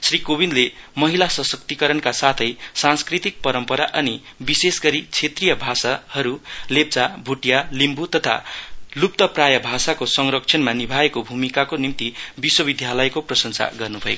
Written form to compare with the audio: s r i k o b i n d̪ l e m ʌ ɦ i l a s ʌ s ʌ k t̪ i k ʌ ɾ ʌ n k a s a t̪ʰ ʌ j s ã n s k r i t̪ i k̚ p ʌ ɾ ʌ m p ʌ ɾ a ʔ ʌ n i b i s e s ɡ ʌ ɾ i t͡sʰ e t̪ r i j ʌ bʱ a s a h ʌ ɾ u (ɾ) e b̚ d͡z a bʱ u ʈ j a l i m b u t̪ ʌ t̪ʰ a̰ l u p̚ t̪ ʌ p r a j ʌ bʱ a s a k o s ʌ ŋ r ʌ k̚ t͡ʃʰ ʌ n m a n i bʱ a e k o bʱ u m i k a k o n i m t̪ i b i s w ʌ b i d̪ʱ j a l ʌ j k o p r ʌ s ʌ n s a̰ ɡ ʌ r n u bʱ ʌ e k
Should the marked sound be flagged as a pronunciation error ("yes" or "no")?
yes